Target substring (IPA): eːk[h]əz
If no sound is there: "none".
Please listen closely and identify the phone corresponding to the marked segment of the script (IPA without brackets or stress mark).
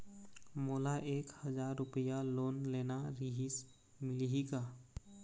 h